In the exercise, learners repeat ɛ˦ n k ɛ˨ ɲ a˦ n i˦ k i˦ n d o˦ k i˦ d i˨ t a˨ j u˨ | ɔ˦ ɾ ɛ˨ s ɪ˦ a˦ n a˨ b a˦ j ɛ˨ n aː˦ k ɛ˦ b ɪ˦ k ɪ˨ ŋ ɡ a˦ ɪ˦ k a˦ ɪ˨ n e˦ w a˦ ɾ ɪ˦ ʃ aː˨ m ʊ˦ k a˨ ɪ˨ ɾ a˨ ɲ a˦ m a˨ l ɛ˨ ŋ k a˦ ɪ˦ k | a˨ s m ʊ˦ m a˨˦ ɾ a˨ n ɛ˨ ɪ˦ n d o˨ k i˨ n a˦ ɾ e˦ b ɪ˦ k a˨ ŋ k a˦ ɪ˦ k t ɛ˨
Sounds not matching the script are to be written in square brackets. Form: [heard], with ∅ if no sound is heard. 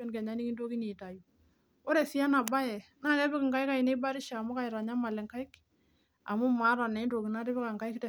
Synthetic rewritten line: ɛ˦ n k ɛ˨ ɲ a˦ n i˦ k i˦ n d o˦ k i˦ [n] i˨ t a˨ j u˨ | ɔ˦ ɾ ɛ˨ s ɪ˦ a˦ n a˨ b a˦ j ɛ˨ n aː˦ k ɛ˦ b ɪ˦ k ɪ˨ ŋ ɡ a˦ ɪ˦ k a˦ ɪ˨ n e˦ [b] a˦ ɾ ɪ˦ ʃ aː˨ m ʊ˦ k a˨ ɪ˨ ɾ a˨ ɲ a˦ m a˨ l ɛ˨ ŋ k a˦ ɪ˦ k | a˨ [∅] m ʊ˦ m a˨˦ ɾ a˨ n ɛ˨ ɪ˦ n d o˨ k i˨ n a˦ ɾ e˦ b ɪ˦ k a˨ ŋ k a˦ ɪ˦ k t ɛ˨